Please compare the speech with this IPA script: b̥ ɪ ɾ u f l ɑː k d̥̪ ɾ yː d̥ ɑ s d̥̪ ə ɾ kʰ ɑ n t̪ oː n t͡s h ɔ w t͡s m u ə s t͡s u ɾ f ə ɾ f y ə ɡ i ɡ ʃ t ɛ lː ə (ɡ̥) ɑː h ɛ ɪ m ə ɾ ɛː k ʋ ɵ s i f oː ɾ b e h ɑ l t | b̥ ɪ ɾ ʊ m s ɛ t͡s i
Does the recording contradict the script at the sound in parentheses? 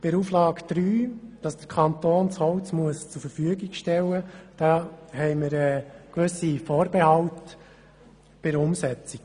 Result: yes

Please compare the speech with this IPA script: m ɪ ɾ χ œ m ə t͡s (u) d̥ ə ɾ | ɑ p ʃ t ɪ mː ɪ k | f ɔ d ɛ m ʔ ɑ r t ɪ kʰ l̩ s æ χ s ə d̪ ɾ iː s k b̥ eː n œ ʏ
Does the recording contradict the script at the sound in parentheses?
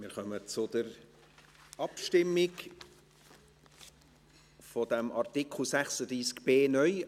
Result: yes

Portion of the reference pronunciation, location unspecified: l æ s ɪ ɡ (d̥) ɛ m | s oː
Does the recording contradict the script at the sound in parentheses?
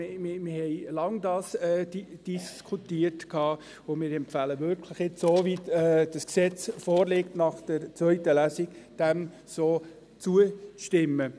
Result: no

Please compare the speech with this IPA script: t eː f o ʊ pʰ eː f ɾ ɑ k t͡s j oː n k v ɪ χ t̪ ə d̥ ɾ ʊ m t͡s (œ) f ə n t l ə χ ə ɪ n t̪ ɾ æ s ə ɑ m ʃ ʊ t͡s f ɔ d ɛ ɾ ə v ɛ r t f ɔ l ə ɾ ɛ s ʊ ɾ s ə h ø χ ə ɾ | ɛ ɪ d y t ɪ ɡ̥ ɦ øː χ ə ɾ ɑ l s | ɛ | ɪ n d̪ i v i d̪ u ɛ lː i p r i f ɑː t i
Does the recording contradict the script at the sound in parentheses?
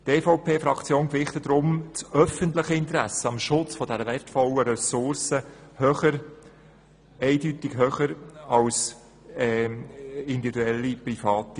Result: no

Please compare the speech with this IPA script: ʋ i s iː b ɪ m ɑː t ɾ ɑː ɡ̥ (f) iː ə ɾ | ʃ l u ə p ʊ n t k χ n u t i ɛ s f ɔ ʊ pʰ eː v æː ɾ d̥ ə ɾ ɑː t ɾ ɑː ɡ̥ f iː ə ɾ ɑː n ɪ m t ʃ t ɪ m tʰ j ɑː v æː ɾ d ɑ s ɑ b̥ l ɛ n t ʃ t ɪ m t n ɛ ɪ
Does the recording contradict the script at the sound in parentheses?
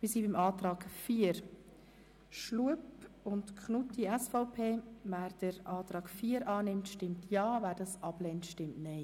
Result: no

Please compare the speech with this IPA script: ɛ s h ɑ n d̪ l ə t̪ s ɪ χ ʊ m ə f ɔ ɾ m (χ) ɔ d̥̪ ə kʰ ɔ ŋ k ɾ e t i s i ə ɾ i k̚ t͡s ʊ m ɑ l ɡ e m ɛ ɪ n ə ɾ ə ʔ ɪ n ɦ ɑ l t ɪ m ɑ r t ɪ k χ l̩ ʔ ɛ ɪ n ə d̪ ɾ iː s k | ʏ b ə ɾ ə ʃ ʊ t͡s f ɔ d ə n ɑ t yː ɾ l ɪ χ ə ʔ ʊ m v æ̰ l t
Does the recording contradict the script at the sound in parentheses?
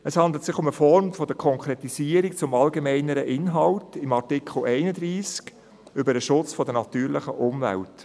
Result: yes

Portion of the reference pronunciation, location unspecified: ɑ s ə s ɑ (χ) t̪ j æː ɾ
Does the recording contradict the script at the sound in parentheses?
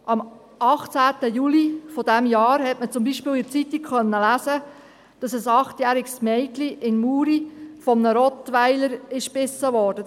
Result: no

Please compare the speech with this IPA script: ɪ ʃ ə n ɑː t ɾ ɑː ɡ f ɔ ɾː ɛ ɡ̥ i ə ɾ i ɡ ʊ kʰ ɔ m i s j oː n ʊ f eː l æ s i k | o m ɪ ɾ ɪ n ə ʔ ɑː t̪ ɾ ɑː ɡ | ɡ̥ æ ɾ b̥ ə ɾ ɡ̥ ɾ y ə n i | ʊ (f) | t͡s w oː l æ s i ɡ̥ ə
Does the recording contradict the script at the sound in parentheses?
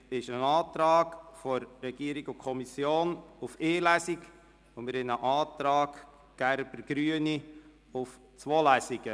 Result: no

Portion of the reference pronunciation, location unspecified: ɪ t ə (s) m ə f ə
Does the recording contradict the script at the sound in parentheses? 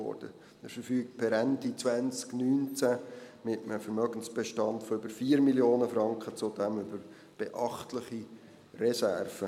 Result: yes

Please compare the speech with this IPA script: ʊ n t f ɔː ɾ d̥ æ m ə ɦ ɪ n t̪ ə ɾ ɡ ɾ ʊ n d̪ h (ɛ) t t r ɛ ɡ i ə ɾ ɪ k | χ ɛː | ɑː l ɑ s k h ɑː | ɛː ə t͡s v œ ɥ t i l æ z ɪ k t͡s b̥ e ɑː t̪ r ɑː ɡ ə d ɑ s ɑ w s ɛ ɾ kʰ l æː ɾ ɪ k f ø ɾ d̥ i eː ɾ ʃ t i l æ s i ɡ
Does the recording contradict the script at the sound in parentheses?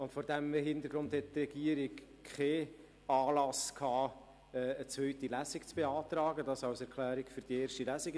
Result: no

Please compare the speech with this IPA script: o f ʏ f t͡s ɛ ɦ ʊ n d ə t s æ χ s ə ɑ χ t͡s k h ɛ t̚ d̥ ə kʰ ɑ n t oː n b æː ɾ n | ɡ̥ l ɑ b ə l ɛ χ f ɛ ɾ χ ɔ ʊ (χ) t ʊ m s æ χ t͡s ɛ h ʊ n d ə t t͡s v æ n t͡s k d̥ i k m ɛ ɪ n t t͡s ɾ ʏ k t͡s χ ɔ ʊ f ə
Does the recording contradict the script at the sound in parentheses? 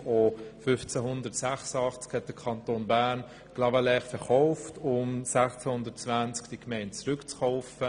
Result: yes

